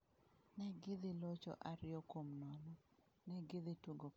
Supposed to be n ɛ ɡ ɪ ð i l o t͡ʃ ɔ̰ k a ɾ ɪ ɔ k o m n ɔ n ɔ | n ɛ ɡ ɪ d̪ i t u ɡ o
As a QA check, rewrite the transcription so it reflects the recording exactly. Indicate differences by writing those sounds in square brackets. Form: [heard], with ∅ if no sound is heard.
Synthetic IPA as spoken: n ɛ ɡ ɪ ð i l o t͡ʃ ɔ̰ [ʔ] a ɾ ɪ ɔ k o m n ɔ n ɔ | n ɛ ɡ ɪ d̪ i t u ɡ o